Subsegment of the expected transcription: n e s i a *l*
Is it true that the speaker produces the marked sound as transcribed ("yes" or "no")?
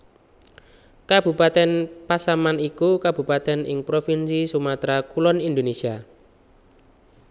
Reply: no